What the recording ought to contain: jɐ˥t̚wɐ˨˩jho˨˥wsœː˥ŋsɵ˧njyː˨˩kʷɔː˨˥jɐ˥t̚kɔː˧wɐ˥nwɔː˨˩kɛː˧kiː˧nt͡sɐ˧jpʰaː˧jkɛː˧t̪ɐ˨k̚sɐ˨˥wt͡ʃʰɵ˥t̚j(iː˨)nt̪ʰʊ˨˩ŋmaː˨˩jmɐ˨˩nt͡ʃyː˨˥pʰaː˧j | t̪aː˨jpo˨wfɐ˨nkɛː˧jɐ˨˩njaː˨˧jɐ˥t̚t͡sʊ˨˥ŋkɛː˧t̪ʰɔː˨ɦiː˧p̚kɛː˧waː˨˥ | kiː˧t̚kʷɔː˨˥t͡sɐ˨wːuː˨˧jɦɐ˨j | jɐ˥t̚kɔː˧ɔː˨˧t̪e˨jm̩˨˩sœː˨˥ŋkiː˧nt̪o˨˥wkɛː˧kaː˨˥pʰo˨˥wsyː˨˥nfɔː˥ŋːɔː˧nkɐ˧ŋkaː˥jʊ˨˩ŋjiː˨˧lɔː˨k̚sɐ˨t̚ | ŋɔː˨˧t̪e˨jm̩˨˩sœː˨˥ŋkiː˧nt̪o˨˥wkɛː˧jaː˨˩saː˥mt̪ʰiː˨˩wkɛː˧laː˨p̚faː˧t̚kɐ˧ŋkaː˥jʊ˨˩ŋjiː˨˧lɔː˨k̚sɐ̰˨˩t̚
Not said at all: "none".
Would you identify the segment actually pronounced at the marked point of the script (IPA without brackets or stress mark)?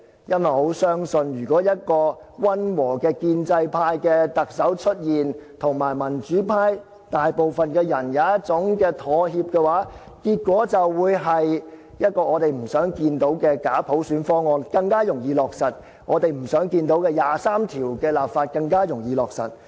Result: iː˨